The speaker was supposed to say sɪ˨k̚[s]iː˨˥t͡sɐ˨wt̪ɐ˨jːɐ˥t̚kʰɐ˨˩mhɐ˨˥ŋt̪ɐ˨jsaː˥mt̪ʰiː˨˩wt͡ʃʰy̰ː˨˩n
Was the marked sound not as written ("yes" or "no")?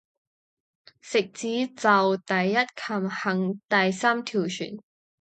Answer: yes